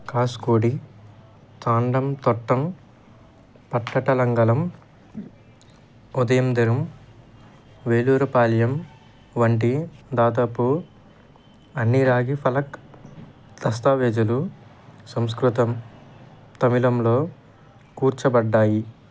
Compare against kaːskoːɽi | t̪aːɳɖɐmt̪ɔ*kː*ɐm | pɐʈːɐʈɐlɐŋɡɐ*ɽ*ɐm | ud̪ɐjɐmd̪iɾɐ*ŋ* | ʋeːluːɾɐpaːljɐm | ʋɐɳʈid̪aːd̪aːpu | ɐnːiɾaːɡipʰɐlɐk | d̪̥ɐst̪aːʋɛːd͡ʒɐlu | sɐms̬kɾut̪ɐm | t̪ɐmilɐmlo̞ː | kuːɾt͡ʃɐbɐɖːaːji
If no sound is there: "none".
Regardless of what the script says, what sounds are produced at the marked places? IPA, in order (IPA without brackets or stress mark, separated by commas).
ʈː, l, m